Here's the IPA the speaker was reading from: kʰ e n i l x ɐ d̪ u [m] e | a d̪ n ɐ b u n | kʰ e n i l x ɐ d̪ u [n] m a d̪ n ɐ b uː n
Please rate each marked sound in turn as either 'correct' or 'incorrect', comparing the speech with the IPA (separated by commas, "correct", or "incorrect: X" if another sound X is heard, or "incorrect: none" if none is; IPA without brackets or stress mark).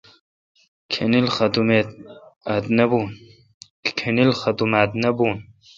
correct, incorrect: none